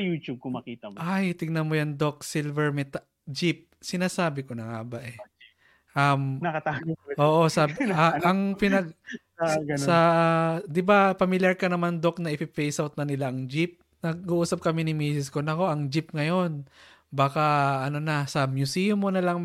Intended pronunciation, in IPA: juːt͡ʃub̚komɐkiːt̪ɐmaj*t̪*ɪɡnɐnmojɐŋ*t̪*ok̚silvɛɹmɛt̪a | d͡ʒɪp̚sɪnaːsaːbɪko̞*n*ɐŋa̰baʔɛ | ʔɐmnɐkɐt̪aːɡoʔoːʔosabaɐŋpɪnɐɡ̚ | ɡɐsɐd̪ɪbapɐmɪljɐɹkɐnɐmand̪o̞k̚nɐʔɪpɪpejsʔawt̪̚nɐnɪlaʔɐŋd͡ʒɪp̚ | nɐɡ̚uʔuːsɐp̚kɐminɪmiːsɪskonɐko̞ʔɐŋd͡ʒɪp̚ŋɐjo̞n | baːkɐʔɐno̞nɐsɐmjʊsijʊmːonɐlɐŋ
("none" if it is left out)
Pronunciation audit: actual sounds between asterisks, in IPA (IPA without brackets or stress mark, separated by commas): t̪, d̪, n